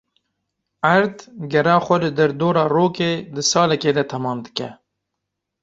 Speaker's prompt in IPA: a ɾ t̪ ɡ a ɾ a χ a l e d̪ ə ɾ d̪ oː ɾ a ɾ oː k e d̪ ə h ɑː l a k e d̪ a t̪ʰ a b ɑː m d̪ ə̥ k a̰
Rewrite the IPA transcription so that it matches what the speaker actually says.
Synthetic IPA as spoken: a ɾ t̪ ɡ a ɾ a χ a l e d̪ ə ɾ d̪ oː ɾ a ɾ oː k e d̪ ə s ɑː l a k e d̪ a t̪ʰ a m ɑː m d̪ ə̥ k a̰